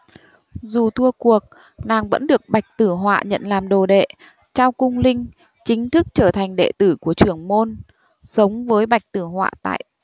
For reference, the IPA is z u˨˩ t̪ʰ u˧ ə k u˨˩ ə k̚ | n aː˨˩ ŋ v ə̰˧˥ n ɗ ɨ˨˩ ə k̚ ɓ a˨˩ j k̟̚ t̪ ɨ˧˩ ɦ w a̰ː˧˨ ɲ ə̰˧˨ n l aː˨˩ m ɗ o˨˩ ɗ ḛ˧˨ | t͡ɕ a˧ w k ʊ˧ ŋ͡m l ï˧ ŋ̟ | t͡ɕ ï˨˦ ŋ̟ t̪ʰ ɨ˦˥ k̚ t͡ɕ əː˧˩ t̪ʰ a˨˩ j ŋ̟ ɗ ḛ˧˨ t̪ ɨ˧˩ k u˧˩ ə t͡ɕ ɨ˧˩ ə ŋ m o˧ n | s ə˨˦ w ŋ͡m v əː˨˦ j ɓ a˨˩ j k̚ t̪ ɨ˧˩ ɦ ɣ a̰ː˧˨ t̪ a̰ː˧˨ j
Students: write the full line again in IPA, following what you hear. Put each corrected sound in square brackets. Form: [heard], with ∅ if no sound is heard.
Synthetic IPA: z u˨˩ t̪ʰ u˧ ə k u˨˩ ə k̚ | n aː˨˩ ŋ v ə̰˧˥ n ɗ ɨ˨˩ ə k̚ ɓ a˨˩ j k̟̚ t̪ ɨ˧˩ ɦ w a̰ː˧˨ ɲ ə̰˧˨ n l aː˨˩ m ɗ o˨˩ ɗ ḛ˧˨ | t͡ɕ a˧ w k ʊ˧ ŋ͡m l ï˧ ŋ̟ | t͡ɕ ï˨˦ ŋ̟ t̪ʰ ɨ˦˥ k̚ t͡ɕ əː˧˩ t̪ʰ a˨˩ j ŋ̟ ɗ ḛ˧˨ t̪ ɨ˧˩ k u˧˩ ə t͡ɕ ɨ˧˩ ə ŋ m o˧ n | s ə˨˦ w ŋ͡m v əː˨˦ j ɓ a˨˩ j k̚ t̪ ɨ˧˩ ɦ [w] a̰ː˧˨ t̪ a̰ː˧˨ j